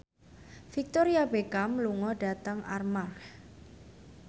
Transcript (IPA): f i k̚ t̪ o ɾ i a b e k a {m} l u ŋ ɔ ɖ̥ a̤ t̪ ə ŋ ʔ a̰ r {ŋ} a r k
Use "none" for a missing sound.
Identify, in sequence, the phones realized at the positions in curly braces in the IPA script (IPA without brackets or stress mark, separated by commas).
m, m